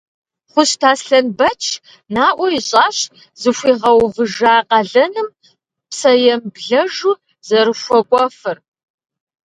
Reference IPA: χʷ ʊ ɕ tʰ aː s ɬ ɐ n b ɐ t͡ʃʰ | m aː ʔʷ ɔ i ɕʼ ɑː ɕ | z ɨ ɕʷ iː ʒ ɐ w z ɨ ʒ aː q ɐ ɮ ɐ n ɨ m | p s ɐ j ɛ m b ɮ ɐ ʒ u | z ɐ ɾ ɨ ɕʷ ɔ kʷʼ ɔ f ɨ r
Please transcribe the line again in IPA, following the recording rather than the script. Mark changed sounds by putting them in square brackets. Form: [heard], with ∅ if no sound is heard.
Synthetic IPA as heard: χʷ ʊ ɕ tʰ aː s ɬ ɐ n b ɐ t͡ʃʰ | [n] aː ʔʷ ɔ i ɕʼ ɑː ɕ | z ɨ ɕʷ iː [ʁ] ɐ w [v] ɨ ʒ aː q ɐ ɮ ɐ n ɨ m | p s ɐ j ɛ m b ɮ ɐ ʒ u | z ɐ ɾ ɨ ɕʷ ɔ kʷʼ ɔ f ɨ r